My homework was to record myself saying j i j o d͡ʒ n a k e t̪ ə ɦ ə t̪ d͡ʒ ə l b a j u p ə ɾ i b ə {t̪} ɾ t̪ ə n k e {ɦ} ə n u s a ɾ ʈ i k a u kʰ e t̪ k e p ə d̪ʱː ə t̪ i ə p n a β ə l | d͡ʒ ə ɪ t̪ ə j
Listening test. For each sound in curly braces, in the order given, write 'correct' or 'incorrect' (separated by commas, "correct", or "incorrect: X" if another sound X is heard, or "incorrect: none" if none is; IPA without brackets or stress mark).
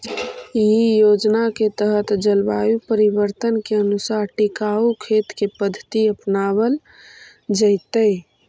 incorrect: none, incorrect: none